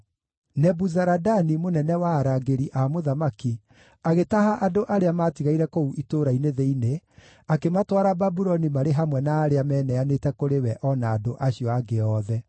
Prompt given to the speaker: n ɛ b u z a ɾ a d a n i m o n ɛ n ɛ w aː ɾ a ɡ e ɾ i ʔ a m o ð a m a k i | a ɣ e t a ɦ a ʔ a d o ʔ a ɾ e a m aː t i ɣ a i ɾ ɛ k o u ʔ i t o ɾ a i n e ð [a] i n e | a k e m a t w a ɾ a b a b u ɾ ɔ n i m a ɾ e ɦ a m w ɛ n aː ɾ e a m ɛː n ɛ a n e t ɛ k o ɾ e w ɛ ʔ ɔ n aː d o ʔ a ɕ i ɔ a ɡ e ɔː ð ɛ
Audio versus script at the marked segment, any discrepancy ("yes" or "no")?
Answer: yes